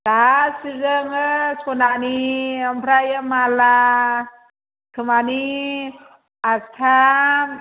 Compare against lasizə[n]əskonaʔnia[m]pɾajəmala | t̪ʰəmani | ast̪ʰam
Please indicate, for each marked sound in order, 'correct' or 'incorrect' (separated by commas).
incorrect, correct